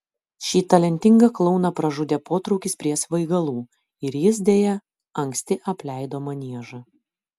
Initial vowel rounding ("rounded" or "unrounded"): unrounded